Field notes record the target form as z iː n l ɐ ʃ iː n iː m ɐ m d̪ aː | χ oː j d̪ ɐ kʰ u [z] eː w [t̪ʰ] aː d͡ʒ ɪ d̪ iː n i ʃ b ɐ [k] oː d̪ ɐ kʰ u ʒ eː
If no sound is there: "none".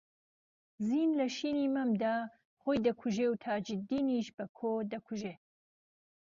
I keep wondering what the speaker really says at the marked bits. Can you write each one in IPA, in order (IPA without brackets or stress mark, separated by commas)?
ʒ, t̪ʰ, kʰ